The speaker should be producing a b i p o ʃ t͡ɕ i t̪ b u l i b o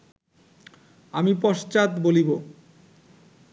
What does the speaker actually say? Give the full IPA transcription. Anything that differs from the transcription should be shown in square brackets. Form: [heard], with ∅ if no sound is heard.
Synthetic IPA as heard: a [m] i p [ɔ] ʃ t͡ɕ [a] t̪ b [o] l i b o